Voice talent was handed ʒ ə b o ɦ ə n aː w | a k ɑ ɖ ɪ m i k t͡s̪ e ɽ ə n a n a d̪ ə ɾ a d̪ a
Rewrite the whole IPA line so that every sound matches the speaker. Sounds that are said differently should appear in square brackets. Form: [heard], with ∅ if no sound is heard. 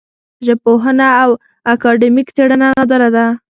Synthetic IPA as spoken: ʒ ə [p] o ɦ ə n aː w | a k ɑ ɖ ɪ m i k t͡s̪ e ɽ ə n a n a d̪ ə ɾ a d̪ a